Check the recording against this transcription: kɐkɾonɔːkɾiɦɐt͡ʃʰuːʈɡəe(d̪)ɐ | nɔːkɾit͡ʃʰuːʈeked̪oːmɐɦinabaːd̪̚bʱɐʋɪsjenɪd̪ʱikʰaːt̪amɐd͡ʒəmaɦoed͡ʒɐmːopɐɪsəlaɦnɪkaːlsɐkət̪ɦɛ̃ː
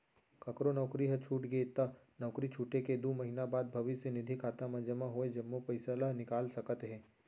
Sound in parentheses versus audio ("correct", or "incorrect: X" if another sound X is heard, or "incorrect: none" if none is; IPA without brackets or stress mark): incorrect: t̪